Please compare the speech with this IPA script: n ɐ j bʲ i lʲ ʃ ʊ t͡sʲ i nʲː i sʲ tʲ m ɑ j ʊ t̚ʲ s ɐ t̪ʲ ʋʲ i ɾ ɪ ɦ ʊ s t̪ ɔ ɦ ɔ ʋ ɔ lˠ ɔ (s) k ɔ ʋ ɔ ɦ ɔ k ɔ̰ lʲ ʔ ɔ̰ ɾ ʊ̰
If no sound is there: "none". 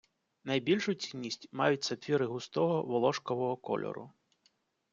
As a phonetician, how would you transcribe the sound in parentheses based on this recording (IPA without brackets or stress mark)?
ʃ